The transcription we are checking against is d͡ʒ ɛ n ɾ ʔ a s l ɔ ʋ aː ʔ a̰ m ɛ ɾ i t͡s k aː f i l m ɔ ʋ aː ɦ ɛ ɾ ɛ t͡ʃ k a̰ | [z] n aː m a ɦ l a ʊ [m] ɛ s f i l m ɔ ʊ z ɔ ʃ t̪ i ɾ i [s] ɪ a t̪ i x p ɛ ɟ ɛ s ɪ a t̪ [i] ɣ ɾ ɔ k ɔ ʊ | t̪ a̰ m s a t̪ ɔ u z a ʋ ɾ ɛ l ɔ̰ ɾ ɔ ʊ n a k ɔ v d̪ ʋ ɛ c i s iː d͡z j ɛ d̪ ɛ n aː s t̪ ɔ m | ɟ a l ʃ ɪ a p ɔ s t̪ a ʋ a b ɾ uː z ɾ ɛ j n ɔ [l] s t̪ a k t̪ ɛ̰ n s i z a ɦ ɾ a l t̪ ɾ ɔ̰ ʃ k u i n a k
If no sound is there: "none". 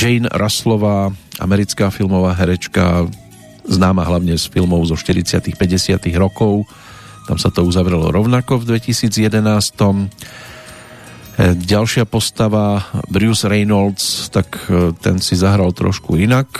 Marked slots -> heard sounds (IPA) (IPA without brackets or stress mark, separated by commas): z, ɲ, t͡s, i, l